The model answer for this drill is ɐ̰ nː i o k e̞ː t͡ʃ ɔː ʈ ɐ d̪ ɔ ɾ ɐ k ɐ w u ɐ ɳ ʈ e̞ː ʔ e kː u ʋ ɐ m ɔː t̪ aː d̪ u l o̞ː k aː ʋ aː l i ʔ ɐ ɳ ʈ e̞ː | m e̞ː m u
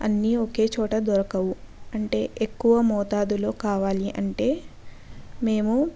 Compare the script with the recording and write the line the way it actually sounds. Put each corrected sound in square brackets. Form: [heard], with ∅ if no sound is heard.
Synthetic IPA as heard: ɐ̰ nː i o k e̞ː t͡ʃ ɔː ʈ ɐ d̪ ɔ ɾ ɐ k ɐ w u ɐ ɳ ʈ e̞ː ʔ e kː u ʋ ɐ m ɔː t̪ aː d̪ u l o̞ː k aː ʋ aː l i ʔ ɐ ɳ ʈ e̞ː | m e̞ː m u